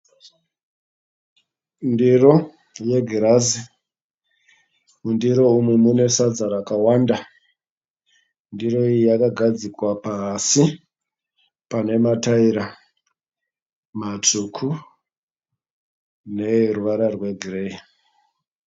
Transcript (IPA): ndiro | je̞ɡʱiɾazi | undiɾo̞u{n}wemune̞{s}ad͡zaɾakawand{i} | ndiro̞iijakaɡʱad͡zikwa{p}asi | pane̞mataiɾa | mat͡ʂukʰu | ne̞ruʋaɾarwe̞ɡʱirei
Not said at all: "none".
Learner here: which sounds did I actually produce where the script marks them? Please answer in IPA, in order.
m, s, a, p

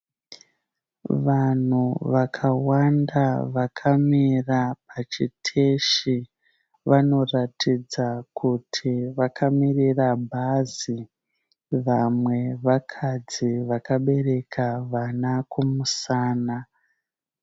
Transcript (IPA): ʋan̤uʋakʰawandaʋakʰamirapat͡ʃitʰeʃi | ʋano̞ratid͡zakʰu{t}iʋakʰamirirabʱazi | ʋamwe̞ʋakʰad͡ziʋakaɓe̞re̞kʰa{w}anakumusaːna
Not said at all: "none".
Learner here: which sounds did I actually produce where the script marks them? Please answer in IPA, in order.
tʰ, ʋ

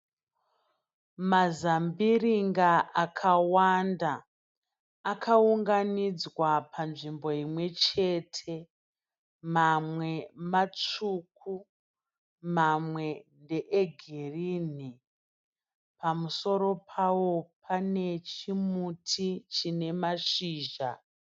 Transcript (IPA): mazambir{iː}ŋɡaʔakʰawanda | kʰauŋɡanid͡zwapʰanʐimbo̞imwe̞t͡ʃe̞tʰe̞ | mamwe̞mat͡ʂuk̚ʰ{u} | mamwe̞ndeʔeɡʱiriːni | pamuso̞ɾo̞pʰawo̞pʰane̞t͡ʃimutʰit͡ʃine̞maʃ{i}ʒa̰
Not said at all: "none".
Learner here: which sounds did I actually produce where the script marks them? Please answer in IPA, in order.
i, u, iː

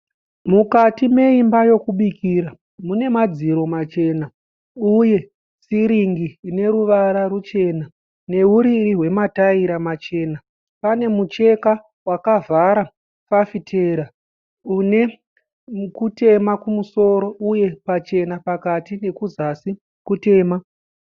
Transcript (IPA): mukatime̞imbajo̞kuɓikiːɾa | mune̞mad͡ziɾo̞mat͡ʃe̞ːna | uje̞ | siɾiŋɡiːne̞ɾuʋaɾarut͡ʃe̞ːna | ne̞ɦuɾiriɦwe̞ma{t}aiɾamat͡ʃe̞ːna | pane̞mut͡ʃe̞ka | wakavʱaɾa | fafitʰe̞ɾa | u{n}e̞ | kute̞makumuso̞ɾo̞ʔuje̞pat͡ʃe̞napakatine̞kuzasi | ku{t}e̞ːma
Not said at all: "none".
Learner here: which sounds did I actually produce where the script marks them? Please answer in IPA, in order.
t, n, t

